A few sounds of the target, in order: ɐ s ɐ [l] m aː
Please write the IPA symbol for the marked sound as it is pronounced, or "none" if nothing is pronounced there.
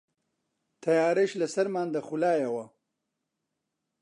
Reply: ɾ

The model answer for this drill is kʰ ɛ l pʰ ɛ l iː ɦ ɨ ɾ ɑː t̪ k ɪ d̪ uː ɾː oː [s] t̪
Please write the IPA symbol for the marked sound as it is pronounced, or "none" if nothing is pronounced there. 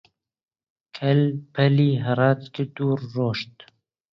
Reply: ʃ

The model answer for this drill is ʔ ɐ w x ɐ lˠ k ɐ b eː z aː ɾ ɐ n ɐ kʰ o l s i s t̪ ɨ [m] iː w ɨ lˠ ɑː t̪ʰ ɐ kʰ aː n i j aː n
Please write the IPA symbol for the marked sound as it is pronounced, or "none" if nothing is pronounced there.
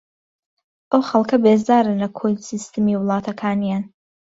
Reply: m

